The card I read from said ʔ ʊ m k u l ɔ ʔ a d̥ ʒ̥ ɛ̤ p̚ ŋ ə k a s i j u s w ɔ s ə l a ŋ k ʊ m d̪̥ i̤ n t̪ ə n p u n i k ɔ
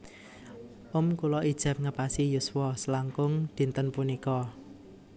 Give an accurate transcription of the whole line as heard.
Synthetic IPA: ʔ ʊ m k u l ɔ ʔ i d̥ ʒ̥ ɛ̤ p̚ ŋ ə p a s i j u s w ɔ s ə l a ŋ k ʊ ŋ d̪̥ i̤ n t̪ ə n p u n i k ɔ